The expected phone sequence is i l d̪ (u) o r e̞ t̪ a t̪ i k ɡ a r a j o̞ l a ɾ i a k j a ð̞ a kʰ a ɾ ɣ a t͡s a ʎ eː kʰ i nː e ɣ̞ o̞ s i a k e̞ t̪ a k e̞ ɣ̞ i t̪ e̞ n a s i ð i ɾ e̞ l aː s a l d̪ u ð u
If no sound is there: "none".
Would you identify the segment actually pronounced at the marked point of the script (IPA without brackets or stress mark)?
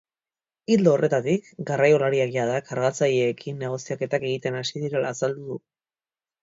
o